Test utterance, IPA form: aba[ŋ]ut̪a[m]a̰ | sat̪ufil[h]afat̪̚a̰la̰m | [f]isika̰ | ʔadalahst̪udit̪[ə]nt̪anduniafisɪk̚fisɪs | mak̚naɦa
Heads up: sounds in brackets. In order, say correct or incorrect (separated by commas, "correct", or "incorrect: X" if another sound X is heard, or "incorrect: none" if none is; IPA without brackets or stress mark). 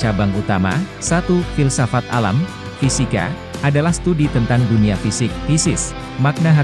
correct, correct, incorrect: s, correct, correct